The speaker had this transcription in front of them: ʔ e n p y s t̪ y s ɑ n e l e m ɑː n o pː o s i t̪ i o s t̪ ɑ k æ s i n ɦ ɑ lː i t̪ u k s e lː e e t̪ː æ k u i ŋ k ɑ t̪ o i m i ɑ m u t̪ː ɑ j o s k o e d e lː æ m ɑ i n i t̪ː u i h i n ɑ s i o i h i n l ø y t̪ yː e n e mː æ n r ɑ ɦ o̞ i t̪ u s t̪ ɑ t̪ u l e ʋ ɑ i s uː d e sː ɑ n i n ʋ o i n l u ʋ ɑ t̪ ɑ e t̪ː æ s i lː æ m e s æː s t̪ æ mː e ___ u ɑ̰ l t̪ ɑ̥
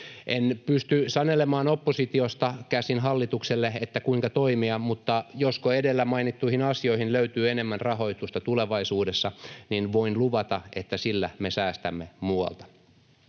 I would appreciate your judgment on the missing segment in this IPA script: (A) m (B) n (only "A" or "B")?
A